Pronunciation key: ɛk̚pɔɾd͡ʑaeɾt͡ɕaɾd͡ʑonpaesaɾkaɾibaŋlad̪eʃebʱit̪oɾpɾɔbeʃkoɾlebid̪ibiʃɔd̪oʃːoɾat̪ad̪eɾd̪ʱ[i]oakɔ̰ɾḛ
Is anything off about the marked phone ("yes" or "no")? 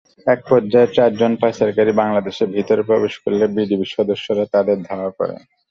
yes